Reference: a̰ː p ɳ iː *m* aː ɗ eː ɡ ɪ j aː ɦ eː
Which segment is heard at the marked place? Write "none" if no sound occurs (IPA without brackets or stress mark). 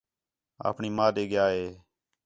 m